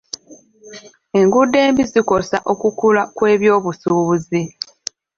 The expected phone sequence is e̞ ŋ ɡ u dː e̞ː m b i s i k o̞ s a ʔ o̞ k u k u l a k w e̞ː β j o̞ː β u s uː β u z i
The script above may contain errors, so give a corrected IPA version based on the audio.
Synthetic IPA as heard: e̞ ŋ ɡ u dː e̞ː m b i z i k o̞ s a ʔ o̞ k u k u l a k w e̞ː β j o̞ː β u s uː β u z i